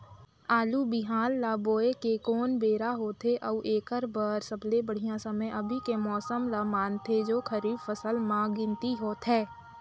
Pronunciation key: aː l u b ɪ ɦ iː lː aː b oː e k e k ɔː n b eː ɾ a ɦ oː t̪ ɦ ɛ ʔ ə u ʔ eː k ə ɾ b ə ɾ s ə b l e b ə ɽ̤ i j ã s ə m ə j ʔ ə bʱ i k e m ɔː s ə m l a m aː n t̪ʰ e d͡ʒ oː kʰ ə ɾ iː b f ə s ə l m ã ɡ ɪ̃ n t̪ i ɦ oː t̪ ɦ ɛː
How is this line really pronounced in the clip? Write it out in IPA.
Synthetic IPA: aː l u b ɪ ɦ aː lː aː b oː e k e k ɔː n b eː ɾ a ɦ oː t̪ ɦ e ʔ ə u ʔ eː k ə ɾ b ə ɾ s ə b l e b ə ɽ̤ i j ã s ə m ə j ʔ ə bʱ i k e m ɔː s ə m l a m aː n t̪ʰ e d͡ʒ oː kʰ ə ɾ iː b f ə s ə l m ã ɡ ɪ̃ n t̪ i ɦ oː t̪ ɦ ɛː